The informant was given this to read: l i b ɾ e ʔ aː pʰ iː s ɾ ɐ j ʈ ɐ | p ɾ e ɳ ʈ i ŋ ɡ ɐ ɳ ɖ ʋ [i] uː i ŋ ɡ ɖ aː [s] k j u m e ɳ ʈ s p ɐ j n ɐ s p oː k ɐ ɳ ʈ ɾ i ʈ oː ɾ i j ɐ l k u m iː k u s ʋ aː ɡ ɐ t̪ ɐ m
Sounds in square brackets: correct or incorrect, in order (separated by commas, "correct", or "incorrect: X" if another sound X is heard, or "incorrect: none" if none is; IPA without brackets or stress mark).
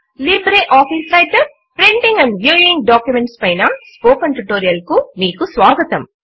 incorrect: j, incorrect: none